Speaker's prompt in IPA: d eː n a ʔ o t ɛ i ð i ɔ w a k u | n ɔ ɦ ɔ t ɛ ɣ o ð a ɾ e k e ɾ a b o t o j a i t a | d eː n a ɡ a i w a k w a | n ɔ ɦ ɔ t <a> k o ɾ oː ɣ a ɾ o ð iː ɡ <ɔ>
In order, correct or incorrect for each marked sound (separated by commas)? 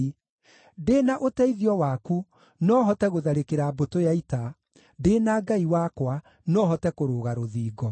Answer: incorrect, correct